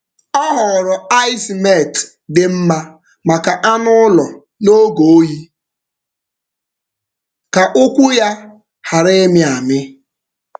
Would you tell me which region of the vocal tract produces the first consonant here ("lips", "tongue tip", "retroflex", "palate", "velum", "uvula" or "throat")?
throat